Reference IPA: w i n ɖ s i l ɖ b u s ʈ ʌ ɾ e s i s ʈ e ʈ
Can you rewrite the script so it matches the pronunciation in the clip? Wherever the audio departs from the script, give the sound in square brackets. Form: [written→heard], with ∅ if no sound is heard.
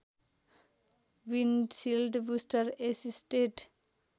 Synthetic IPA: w i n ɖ s i l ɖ b u s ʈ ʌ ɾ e s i s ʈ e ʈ